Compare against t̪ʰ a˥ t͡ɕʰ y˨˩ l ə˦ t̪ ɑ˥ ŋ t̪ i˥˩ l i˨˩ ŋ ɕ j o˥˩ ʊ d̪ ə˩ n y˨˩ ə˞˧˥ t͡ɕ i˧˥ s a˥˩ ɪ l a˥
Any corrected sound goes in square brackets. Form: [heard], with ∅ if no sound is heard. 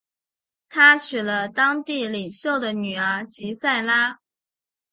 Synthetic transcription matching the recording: t̪ʰ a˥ t͡ɕʰ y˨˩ l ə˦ t̪ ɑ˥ ŋ t̪ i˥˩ l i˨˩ ŋ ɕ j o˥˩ ʊ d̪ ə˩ n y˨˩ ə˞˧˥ t͡ɕ i˧˥ s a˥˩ ɪ l a˥